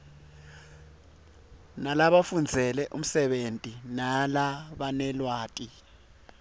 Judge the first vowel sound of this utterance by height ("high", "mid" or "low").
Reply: low